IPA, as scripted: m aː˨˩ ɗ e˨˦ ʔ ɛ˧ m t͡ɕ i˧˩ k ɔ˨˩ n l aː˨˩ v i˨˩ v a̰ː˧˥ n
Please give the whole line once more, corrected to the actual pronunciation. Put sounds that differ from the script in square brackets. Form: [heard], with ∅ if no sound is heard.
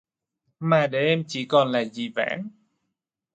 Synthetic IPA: m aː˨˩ ɗ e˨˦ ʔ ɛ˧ m t͡ɕ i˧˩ k ɔ˨˩ n l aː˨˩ [z] i˨˩ v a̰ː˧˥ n